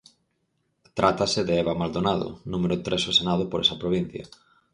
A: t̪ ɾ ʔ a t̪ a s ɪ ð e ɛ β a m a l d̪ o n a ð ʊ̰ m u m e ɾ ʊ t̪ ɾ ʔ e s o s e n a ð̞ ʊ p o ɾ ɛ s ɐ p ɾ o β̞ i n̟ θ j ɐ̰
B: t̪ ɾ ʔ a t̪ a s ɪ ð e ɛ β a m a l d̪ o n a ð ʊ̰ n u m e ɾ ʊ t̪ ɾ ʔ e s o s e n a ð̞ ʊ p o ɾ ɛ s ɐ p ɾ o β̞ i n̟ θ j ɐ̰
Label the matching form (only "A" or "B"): B